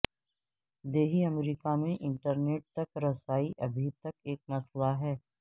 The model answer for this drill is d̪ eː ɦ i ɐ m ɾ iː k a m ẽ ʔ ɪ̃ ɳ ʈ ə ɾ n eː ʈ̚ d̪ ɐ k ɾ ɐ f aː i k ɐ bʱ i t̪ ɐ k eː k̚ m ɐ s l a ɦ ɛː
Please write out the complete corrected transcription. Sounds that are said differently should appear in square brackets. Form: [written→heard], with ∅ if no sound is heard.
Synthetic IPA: d̪ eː ɦ i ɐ m ɾ iː k a m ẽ ʔ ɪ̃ ɳ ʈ ə ɾ n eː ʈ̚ [d̪→t̪] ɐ k ɾ ɐ [f→s] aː i [k→ʔ] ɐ bʱ i t̪ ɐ k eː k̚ m ɐ s l a ɦ ɛː